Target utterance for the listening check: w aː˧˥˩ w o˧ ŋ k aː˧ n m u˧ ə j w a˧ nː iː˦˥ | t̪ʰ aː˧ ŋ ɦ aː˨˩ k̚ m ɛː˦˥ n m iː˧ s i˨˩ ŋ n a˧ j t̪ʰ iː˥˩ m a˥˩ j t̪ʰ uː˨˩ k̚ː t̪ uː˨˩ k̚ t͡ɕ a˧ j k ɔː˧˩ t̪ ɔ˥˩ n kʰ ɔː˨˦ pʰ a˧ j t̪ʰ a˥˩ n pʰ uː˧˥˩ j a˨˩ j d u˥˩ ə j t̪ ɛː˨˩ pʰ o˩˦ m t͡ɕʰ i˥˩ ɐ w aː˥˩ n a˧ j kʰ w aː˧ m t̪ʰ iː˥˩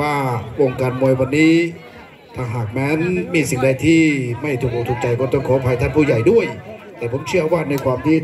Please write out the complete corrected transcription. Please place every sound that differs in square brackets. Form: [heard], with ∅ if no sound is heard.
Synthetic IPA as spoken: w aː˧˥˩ w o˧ ŋ k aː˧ n m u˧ ə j w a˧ nː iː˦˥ | t̪ʰ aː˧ ŋ ɦ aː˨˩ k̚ m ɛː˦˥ n m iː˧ s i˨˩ ŋ [d] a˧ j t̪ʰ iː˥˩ m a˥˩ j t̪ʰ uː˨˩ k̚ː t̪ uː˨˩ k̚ t͡ɕ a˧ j k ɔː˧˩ t̪ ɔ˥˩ [ŋ] kʰ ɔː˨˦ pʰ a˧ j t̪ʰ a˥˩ n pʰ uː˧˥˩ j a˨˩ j d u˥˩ ə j t̪ ɛː˨˩ pʰ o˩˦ m t͡ɕʰ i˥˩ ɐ w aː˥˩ n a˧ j kʰ w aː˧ m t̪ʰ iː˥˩